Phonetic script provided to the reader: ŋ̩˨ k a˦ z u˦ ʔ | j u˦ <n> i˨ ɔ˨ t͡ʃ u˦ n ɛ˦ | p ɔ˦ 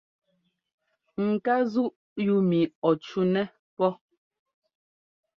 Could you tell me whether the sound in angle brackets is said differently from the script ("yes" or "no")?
yes